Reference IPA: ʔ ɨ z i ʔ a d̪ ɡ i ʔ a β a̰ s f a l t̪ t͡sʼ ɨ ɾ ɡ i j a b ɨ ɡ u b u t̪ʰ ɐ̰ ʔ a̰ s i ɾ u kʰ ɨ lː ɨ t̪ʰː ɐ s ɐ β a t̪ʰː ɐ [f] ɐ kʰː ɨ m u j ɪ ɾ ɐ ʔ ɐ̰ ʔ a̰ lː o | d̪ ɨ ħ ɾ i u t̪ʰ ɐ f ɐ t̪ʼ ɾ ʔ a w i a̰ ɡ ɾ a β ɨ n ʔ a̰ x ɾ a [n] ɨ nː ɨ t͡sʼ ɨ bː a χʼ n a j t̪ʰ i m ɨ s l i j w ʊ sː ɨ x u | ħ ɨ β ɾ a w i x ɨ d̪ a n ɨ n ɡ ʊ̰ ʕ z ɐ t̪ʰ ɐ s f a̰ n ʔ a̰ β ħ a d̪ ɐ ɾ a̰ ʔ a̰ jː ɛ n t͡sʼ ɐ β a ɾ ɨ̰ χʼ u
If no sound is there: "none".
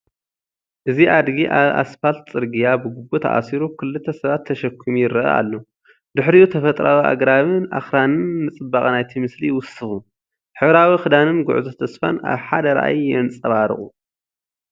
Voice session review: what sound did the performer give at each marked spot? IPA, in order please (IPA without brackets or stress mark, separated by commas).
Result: ʃ, n